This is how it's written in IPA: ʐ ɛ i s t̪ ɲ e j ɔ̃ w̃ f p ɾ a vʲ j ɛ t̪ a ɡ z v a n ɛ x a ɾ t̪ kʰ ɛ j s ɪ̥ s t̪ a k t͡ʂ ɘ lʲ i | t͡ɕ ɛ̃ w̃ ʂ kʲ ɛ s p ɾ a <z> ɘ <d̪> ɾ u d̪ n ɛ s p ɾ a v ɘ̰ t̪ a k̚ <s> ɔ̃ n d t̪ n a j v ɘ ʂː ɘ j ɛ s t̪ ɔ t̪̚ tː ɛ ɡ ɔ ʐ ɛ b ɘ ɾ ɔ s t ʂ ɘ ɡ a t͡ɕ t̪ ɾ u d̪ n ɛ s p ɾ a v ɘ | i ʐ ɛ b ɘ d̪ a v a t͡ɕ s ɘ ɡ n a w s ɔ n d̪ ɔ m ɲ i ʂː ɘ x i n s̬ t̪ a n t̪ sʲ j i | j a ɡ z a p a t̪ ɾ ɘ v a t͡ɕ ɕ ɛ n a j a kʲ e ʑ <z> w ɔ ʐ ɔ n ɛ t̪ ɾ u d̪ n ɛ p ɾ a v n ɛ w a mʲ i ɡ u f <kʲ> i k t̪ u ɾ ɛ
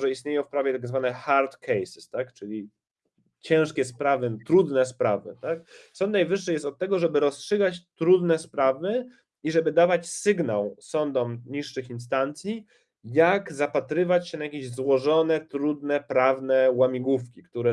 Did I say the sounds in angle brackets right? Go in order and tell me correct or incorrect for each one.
incorrect: v, incorrect: t̪, correct, correct, correct

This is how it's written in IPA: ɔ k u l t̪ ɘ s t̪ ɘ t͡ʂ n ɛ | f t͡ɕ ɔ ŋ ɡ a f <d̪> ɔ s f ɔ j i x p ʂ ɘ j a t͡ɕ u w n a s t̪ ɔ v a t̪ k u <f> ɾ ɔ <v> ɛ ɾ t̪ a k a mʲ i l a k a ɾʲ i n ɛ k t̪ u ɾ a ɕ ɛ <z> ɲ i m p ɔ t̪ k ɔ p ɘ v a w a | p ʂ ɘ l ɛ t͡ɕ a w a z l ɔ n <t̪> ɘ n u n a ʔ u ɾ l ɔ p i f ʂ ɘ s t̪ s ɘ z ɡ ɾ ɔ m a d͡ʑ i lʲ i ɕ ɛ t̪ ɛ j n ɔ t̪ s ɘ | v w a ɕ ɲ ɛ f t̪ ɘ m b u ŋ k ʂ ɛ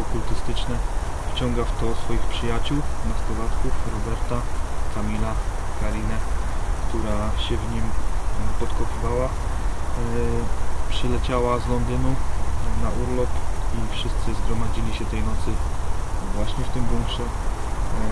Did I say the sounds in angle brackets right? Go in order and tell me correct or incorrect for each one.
incorrect: t̪, correct, incorrect: b, incorrect: v, incorrect: d̪

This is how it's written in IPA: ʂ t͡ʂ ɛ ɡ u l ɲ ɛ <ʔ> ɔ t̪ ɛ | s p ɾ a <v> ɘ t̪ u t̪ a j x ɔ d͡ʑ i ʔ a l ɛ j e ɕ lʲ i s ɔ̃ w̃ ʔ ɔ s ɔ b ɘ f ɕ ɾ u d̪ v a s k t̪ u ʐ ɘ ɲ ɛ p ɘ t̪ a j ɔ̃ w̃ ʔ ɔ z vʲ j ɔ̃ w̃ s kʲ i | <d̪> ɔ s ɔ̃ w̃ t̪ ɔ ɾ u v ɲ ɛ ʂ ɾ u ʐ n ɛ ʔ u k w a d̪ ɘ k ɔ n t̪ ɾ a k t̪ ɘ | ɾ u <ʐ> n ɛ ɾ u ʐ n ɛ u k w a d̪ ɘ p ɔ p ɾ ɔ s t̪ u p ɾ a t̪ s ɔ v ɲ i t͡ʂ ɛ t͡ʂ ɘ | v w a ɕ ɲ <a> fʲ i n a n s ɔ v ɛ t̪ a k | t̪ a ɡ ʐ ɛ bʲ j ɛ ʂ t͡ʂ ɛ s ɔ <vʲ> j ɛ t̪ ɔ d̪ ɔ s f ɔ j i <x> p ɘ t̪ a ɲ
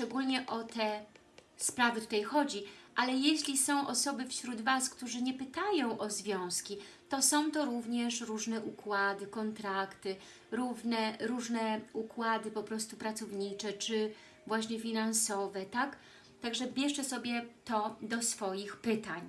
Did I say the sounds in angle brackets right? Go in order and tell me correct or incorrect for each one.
correct, correct, incorrect: t̪, incorrect: v, incorrect: ɛ, incorrect: bʲ, correct

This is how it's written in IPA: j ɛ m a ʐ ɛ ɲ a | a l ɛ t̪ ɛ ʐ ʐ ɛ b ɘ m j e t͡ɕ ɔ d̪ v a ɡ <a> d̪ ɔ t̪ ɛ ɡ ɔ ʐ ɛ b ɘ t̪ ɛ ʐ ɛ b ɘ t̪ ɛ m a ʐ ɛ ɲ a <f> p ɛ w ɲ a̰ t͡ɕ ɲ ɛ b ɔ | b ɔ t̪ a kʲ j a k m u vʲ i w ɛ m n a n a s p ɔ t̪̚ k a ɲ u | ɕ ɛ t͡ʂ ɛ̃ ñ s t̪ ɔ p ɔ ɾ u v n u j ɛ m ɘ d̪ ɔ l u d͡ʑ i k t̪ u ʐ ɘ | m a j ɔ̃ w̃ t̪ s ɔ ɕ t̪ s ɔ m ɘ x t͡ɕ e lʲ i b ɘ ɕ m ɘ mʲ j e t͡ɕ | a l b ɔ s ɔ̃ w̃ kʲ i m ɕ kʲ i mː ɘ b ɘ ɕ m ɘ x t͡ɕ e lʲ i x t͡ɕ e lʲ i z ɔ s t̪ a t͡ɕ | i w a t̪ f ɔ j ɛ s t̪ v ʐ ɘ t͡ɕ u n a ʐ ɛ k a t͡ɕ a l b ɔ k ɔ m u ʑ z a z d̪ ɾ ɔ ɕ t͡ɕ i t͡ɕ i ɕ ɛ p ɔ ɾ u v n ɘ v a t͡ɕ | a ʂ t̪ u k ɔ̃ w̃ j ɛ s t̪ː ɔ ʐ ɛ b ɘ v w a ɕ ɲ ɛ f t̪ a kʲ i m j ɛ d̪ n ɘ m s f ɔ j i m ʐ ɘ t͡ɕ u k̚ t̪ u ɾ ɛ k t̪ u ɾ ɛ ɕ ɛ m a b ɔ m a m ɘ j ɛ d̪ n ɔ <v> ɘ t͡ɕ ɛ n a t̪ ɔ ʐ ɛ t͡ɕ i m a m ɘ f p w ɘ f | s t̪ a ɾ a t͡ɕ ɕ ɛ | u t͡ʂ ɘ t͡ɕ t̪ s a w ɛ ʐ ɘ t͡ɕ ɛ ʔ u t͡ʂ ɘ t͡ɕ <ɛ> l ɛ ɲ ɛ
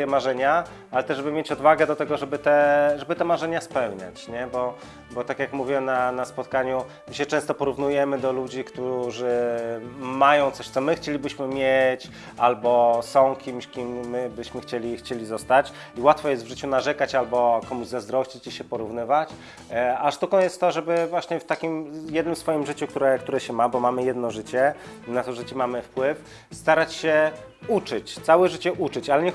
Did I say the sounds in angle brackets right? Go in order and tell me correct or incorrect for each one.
incorrect: ɛ, incorrect: s, incorrect: ʐ, incorrect: a

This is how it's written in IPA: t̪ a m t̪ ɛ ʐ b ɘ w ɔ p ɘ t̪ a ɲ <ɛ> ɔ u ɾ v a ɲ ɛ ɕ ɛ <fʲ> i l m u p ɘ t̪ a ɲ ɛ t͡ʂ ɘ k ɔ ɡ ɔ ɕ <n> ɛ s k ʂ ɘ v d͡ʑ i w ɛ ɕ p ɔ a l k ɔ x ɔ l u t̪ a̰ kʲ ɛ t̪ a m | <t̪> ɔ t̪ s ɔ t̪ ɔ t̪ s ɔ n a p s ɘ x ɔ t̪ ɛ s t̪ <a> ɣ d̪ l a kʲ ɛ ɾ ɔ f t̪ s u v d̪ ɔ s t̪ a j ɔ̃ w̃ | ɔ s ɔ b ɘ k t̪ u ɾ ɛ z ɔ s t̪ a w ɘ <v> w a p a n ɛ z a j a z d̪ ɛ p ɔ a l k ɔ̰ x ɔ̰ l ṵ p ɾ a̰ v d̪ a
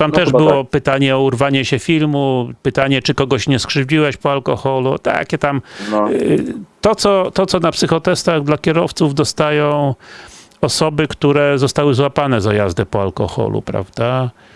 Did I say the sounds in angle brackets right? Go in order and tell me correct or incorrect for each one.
correct, correct, incorrect: ɲ, correct, correct, incorrect: z

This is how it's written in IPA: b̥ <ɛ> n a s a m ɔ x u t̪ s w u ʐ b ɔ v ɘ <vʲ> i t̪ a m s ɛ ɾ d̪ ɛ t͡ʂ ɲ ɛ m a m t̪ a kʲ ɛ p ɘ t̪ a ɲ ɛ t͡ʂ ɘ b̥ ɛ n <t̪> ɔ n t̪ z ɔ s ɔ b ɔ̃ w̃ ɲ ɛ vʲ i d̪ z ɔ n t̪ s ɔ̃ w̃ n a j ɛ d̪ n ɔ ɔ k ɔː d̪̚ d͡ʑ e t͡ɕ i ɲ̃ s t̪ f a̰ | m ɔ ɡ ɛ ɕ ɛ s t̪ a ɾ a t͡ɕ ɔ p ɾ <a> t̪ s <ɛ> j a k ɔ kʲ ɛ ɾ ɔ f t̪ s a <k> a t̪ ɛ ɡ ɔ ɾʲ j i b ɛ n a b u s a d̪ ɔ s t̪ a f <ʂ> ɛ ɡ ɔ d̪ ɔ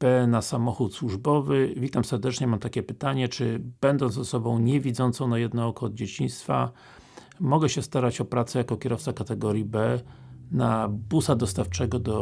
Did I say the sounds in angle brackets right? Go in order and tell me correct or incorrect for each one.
correct, correct, incorrect: d̪, correct, correct, correct, incorrect: t͡ʂ

